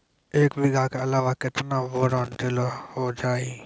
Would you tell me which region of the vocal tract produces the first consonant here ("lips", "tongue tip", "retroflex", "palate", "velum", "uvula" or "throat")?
velum